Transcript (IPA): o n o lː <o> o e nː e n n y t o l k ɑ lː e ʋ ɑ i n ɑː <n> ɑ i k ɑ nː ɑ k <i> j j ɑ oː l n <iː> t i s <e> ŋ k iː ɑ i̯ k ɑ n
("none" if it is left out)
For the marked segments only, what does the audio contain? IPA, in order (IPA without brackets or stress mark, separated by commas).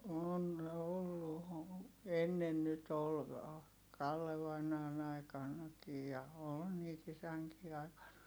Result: u, n, i, iː, æ